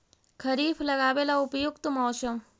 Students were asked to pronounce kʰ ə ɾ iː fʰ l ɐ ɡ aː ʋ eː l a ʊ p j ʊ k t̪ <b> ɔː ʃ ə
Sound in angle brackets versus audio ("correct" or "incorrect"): incorrect